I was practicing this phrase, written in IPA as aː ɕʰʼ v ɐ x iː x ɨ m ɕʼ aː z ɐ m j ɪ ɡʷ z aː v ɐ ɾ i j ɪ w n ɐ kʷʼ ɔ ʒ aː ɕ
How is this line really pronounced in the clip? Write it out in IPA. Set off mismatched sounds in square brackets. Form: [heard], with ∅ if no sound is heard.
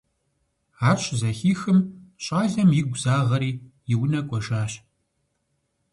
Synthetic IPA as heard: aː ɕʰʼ [z] ɐ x iː x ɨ m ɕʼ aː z ɐ m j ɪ ɡʷ z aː [ʁ] ɐ ɾ [iː] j ɪ w n ɐ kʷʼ ɔ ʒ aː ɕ